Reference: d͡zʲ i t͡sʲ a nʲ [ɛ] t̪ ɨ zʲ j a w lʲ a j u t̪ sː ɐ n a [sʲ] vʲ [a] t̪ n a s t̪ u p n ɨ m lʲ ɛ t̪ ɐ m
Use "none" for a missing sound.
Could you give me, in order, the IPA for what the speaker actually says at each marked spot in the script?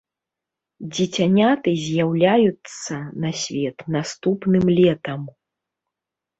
a, sʲ, ɛ

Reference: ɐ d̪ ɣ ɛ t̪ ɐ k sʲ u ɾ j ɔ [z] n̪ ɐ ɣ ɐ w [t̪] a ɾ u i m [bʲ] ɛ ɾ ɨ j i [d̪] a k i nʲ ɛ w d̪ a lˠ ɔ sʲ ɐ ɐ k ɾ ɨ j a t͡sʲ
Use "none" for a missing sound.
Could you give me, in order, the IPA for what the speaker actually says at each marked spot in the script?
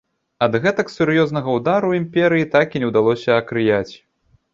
z, d̪, pʲ, t̪

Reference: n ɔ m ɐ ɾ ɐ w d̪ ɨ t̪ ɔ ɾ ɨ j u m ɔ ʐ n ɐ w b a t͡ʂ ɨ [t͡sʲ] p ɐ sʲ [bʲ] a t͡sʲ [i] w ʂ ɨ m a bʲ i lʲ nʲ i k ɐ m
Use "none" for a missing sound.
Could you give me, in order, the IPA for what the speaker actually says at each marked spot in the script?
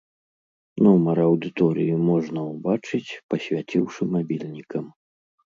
t͡sʲ, vʲ, i

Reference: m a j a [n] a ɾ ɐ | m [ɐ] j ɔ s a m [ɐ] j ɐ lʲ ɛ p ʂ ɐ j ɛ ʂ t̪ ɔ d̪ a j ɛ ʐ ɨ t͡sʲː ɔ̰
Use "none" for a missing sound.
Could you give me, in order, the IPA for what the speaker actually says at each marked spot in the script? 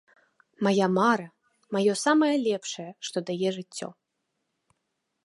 m, a, ɐ

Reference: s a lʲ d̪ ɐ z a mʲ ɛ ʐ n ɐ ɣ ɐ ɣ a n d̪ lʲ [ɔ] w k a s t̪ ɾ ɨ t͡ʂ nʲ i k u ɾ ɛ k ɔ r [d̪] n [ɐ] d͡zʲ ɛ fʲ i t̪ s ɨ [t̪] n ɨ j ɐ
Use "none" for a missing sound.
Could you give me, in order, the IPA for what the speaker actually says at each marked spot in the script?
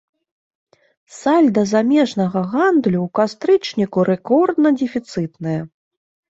u, d̪, ɐ, t̪

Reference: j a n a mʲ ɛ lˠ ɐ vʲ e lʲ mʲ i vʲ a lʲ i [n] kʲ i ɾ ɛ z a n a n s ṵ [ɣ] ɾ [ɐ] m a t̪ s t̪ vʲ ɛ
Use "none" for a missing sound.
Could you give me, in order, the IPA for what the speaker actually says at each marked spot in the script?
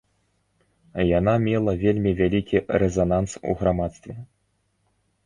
none, ɣ, a

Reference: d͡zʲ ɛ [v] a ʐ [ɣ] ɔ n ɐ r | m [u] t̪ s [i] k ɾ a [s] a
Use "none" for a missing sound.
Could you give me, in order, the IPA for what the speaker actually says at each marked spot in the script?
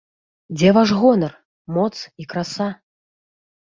v, ɣ, ɔ, i, s

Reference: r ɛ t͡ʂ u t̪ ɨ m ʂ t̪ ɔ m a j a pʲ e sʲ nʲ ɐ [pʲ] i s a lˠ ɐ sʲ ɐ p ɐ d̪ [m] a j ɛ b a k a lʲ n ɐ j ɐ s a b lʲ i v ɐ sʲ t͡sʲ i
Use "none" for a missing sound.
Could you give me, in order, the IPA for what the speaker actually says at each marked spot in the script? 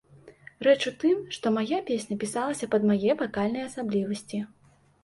pʲ, m

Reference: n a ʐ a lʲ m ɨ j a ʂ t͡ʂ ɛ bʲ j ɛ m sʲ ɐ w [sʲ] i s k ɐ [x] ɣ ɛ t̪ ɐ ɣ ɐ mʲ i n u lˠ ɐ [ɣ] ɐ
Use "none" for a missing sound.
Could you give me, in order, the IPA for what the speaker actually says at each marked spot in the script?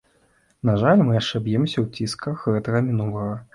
t͡sʲ, x, ɣ

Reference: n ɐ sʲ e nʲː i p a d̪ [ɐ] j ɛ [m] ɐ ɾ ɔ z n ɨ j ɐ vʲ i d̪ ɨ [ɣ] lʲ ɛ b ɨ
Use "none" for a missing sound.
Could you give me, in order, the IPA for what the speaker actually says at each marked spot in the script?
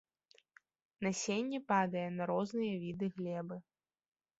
ɐ, n, ɣ

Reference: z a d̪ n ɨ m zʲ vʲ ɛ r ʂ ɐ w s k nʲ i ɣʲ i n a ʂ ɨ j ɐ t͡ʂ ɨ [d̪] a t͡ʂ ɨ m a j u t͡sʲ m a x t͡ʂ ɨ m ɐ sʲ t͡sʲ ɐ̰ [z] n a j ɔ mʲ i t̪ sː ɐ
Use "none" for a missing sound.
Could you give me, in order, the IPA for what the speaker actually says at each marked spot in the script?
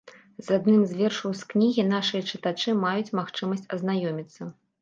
t̪, z

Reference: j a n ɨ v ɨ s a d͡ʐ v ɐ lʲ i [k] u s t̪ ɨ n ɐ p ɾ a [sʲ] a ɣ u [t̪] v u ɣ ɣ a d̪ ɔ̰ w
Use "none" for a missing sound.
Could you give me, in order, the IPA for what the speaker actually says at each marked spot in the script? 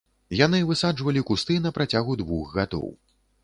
k, t͡sʲ, d̪

